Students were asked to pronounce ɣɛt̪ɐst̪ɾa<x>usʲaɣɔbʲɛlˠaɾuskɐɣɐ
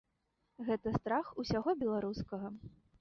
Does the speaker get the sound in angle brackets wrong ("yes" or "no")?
no